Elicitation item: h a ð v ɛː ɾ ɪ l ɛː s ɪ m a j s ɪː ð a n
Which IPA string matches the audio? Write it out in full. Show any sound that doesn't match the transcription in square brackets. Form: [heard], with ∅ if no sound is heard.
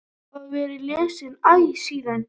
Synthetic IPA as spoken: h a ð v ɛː ɾ ɪ l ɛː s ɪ [n] a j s [iː] ð a n